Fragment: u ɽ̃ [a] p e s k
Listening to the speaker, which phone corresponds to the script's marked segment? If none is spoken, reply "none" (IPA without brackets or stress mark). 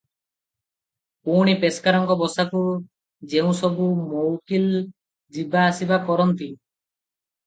i